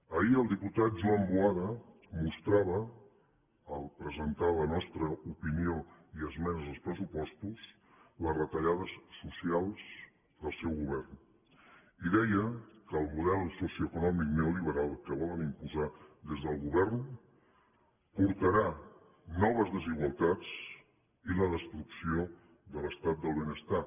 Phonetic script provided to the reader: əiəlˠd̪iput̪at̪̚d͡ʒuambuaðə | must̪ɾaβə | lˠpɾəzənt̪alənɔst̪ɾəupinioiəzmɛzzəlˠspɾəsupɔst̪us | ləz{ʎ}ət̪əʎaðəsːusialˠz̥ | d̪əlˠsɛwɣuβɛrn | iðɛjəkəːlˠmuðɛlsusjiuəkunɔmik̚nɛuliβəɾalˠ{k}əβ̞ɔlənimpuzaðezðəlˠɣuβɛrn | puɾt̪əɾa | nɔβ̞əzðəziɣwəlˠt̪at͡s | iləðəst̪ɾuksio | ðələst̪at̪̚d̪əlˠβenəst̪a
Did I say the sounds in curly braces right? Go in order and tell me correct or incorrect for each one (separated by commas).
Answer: incorrect, correct